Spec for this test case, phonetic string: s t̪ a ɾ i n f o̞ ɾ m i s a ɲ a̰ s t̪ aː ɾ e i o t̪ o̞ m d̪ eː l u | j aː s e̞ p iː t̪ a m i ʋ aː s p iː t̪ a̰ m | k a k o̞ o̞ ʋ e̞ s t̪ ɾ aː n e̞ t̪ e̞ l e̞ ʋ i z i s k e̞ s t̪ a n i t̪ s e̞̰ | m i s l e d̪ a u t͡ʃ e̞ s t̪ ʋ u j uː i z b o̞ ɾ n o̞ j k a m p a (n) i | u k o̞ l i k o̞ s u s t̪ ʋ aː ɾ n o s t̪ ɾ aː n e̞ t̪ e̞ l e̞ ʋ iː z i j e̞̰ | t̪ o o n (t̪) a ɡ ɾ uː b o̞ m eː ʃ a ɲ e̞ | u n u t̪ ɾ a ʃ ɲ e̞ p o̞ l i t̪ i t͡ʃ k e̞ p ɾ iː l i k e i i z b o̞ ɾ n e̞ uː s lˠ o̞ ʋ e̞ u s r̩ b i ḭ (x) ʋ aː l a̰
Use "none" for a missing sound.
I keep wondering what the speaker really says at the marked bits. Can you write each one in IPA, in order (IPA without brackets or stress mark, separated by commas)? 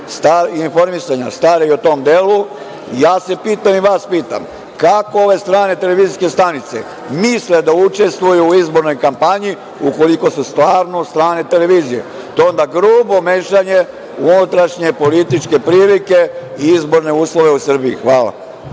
ɲ, d̪, x